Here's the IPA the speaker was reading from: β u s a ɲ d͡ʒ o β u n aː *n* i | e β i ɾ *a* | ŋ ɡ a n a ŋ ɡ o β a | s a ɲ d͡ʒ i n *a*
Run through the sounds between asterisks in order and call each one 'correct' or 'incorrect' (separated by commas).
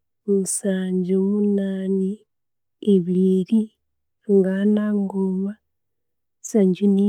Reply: correct, incorrect, incorrect